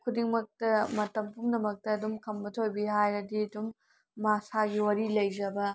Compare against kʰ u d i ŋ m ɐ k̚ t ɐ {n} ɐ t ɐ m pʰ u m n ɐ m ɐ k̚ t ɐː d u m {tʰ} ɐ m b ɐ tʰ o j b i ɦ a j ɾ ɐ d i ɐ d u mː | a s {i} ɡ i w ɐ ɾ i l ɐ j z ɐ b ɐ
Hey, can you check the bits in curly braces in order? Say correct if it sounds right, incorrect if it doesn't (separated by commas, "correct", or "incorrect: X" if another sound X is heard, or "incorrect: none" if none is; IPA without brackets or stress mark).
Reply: incorrect: m, incorrect: kʰ, incorrect: a